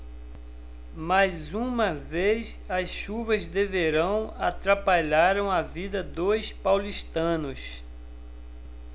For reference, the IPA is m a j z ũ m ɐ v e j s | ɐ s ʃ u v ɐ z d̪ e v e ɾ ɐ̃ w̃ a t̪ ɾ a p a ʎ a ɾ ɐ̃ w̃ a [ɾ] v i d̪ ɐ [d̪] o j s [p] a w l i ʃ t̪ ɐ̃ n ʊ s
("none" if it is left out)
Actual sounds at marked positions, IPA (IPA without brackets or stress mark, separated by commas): none, d̪, p